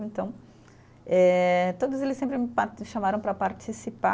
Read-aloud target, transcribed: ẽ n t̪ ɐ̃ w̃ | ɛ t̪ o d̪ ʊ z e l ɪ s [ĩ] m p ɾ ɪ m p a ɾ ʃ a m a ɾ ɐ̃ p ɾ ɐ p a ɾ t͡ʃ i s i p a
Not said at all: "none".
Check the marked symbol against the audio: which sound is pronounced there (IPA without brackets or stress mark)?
ẽ